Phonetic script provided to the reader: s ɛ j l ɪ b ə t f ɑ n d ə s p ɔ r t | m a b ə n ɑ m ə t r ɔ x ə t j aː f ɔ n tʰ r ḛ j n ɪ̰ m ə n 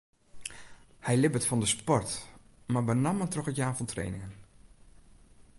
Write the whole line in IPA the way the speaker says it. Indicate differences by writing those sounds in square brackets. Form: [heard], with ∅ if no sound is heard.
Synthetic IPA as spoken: [h] ɛ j l ɪ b ə t f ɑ n d ə s p ɔ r t | m a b ə n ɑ m ə t r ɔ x ə t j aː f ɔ n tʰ r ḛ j n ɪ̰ [ŋ] ə n